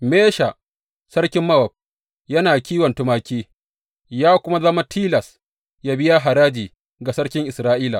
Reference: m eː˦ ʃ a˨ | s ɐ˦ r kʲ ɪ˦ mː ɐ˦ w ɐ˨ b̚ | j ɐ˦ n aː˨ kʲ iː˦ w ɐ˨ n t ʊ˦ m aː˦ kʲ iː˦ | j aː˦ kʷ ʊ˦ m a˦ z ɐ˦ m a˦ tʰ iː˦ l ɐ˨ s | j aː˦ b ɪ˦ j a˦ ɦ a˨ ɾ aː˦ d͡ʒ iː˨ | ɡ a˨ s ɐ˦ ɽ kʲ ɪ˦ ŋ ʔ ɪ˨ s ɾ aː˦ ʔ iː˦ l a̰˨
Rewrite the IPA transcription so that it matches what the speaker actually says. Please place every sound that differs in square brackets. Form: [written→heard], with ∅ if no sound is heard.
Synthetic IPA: m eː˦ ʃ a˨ | s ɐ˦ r kʲ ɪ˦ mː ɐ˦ w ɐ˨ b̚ | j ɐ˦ n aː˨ kʲ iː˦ w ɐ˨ n t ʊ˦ m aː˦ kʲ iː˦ | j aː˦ kʷ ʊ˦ m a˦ z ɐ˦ m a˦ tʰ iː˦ l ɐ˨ s | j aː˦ b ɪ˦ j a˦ ɦ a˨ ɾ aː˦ d͡ʒ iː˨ | ɡ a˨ s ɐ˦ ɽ kʲ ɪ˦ ŋ ʔ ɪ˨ s ɾ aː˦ ʔ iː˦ l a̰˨